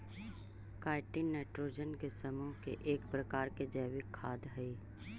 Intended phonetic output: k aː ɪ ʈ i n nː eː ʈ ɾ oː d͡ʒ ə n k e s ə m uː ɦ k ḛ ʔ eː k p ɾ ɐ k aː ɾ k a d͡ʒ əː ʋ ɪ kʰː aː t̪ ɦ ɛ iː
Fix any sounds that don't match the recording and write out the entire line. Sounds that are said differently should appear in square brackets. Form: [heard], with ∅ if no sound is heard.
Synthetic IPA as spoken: k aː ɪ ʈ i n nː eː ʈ ɾ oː d͡ʒ ə n k e s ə m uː ɦ k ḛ ʔ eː k p ɾ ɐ k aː ɾ k [e] d͡ʒ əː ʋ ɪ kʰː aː [d̪] ɦ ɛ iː